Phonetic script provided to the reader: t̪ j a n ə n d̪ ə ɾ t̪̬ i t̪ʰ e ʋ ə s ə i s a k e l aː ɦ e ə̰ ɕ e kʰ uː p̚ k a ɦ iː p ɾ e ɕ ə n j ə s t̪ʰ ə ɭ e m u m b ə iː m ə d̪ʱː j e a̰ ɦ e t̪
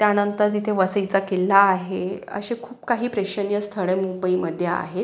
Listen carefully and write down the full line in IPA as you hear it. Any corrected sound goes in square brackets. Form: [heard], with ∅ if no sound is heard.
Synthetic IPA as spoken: t̪ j a n ə n [t̪] ə ɾ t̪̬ i t̪ʰ e ʋ ə s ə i [t͡s] a k e l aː ɦ e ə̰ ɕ e kʰ uː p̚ k a ɦ iː p ɾ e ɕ ə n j ə s t̪ʰ ə ɭ e m u m b ə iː m ə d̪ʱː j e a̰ ɦ e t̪